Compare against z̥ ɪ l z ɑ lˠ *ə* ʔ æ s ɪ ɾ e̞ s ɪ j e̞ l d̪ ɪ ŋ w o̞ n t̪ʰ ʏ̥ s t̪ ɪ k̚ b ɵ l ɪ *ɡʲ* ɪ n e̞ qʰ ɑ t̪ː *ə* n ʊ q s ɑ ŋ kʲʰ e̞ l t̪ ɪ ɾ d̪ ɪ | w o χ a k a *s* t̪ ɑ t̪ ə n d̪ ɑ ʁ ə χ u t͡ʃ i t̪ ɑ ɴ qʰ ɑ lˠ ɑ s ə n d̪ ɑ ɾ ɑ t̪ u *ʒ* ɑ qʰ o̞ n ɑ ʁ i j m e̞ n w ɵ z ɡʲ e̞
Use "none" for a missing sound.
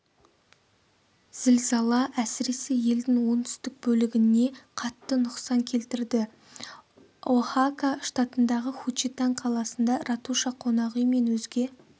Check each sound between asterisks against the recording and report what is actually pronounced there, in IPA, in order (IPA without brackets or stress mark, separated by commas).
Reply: ɑ, ɡʲ, ə, ʃ, ʃ